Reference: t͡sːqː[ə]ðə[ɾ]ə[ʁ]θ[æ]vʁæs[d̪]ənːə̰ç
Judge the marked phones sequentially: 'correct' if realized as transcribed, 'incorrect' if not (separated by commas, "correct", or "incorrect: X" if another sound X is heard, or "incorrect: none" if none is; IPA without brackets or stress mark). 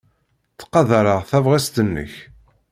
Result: incorrect: ɑ, correct, correct, correct, incorrect: t̪